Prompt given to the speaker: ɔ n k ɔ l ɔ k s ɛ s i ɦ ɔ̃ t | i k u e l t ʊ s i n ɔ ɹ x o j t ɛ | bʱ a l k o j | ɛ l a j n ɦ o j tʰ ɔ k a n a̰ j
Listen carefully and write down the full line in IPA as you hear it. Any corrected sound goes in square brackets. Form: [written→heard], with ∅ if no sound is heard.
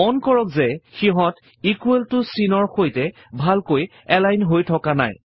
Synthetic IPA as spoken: ɔ n k ɔ [l→ɹ] ɔ k [s→z] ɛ [s→x] i ɦ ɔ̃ t | i k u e l t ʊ s i n ɔ ɹ x o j t ɛ | bʱ a l k o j | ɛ l a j n ɦ o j tʰ ɔ k a n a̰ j